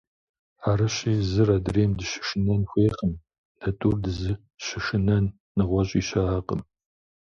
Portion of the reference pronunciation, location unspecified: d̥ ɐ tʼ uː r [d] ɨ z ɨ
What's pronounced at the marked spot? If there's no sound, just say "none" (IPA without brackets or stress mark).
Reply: d